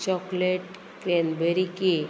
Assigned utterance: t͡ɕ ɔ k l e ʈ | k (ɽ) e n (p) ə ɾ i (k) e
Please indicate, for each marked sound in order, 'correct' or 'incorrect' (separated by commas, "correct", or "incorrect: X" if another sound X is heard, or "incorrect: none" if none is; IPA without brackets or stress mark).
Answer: incorrect: ɾ, incorrect: b, correct